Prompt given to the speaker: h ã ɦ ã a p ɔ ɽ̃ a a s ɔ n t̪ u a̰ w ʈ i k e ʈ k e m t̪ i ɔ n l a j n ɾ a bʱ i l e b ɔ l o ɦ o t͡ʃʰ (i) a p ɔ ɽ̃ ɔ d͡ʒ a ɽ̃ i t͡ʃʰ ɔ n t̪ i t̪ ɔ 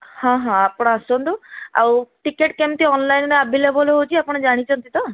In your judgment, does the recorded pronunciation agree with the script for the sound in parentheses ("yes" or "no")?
yes